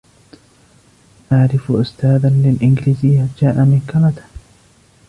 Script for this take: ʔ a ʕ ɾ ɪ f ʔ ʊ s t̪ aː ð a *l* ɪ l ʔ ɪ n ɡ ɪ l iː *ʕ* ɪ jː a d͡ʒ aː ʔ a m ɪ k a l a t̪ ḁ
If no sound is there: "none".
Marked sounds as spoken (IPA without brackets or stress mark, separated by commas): l, z